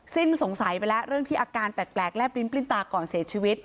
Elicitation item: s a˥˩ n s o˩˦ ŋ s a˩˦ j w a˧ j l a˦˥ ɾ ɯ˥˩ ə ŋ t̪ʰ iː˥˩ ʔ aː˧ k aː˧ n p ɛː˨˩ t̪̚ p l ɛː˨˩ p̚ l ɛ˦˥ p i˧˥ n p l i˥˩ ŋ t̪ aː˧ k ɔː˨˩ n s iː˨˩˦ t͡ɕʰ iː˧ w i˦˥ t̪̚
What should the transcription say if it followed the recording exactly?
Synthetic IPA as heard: s i˥˩ n s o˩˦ ŋ s a˩˦ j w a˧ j l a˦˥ ɾ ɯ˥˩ ə ŋ t̪ʰ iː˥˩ ʔ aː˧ k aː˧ n p ɛː˨˩ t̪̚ p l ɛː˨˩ k̚ l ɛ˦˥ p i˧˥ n p l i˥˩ n t̪ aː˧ k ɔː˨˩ n s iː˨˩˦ t͡ɕʰ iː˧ w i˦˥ t̪̚

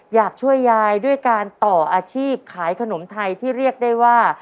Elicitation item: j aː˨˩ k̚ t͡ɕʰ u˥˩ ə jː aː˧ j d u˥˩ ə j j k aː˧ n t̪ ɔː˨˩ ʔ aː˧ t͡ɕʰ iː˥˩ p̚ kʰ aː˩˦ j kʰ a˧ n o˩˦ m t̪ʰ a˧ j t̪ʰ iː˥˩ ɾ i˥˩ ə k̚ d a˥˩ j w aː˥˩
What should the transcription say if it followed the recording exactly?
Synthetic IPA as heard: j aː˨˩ k̚ t͡ɕʰ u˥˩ ə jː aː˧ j d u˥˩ ə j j k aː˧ n t̪ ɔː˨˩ ʔ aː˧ t͡ɕʰ iː˥˩ p̚ kʰ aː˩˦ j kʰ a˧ n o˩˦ m t̪ʰ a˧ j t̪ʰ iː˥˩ ɾ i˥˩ ə k̚ d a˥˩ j w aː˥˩

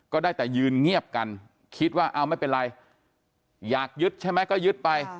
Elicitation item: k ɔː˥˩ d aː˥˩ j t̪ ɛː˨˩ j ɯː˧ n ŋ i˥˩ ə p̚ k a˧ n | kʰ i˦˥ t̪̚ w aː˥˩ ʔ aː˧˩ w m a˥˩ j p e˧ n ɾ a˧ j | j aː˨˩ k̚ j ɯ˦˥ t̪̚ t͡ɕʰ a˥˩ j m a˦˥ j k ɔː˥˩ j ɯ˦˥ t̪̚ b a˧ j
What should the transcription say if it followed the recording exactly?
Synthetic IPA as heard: k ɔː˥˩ d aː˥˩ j t̪ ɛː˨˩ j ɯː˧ n ŋ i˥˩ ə p̚ k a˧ n | kʰ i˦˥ t̪̚ w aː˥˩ ʔ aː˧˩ w m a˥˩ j p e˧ n ɾ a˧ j | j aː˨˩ k̚ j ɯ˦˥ t̪̚ t͡ɕʰ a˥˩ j m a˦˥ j k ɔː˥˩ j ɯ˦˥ t̪̚ p a˧ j

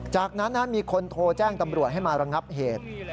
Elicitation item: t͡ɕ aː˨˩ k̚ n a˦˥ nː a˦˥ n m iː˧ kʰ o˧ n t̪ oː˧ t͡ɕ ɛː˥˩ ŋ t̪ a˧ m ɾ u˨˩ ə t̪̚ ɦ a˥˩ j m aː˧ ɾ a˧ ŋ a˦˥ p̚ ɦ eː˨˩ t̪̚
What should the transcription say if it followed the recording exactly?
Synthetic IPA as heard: t͡ɕ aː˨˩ k̚ n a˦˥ nː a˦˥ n m iː˧ kʰ o˧ n t̪ʰ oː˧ t͡ɕ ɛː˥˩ ŋ t̪ a˧ m ɾ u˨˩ ə t̪̚ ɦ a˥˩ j m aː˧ ɾ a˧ ŋ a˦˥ p̚ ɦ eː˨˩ t̪̚

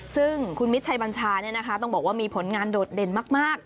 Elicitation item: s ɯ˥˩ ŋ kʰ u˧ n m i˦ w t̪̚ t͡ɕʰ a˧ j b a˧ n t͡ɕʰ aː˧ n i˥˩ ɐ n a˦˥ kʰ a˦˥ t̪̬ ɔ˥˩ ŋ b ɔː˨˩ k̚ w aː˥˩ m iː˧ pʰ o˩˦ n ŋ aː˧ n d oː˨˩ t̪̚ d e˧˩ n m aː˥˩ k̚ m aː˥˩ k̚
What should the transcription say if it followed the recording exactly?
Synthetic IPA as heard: s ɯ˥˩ ŋ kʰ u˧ n m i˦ t̪̚ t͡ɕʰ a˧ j b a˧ n t͡ɕʰ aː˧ n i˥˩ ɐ n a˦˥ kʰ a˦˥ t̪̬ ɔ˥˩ ŋ b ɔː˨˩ k̚ w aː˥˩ m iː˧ pʰ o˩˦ n ŋ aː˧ n d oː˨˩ t̪̚ d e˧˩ n m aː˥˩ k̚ m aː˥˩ k̚

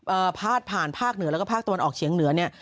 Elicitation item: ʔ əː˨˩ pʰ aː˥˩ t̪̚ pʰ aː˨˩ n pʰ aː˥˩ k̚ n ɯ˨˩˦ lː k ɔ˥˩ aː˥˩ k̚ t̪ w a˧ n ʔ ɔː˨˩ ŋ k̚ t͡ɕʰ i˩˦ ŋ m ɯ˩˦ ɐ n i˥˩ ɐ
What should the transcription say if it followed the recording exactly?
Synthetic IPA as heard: ʔ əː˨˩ pʰ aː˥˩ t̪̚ pʰ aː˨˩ n pʰ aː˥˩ k̚ n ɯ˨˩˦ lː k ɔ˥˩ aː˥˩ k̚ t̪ w a˧ n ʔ ɔː˨˩ k̚ t͡ɕʰ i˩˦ ŋ n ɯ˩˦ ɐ n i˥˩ ɐ

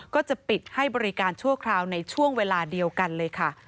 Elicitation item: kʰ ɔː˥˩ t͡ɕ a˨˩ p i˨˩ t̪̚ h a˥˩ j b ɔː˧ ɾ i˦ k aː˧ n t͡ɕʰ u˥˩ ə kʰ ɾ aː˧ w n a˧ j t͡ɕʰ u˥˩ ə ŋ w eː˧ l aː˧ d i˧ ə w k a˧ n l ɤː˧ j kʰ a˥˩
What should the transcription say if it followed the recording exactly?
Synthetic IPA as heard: k ɔː˥˩ t͡ɕ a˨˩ p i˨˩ t̪̚ h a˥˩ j b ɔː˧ ɾ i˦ k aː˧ n t͡ɕʰ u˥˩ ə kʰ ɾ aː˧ w n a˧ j t͡ɕʰ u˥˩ ə ŋ w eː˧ l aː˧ d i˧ ə w k a˧ n l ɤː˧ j kʰ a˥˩

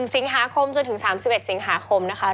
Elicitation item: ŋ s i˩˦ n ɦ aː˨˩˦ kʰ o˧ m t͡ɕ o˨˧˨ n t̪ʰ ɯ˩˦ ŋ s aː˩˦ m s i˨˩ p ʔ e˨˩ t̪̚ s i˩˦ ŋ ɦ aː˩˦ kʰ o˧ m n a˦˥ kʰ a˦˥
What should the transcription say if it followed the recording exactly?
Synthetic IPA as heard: ŋ s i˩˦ ŋ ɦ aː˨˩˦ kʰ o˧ m t͡ɕ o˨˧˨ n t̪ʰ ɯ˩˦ ŋ s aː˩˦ m s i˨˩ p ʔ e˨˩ t̪̚ s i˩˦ ŋ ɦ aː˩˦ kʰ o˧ m n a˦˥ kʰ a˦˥

